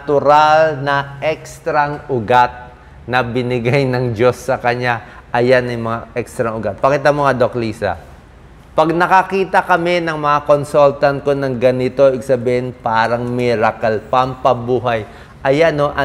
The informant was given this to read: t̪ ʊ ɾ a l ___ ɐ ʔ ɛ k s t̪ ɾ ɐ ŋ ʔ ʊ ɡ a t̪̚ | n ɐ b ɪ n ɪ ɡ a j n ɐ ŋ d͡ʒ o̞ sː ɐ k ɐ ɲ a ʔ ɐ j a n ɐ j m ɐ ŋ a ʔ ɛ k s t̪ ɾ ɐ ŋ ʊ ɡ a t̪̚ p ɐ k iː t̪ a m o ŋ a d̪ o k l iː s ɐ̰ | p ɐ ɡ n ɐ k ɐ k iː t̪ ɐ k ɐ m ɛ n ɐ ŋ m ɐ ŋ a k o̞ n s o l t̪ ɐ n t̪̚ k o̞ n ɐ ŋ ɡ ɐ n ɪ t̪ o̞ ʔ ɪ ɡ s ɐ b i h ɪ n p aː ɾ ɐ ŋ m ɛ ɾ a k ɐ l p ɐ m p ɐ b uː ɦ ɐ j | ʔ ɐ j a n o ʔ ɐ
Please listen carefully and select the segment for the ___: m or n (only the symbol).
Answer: n